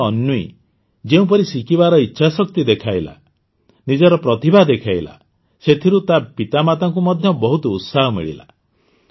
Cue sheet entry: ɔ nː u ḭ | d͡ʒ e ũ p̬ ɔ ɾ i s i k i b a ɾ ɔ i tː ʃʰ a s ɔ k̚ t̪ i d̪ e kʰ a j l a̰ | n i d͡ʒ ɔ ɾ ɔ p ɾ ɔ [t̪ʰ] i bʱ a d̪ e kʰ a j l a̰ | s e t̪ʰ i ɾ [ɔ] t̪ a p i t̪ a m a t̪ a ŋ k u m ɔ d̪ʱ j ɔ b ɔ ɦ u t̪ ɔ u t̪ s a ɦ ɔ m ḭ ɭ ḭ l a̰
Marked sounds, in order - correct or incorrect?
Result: incorrect: t̪, incorrect: u

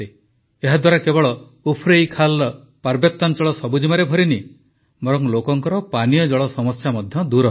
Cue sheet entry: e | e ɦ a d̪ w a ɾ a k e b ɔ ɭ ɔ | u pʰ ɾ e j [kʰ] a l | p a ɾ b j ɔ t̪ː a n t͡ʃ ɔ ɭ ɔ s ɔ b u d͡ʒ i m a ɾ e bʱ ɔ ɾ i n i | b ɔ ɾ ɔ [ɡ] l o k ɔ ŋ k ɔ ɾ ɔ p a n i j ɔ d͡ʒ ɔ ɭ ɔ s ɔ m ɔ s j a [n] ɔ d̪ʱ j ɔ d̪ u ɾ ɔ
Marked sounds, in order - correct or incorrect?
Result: correct, incorrect: ŋ, incorrect: m

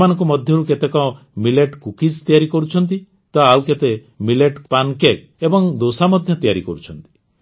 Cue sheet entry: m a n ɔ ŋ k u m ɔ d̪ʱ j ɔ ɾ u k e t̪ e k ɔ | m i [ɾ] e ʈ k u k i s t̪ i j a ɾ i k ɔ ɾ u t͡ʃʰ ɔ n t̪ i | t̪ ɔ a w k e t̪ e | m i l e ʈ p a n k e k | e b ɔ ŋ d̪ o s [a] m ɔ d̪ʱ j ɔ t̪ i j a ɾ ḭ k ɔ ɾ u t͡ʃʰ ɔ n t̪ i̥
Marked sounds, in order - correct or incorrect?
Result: incorrect: l, correct

